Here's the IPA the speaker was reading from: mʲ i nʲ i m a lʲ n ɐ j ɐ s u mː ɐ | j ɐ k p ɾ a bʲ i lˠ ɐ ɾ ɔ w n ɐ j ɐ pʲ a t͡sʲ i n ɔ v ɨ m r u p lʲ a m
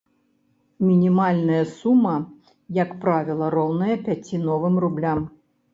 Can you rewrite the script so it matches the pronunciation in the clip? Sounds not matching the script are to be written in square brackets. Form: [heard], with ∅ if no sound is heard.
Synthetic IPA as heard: mʲ i nʲ i m a lʲ n ɐ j ɐ s u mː ɐ | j ɐ k p ɾ a [vʲ] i lˠ ɐ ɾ ɔ w n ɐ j ɐ pʲ a t͡sʲ i n ɔ v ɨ m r u [b] lʲ a m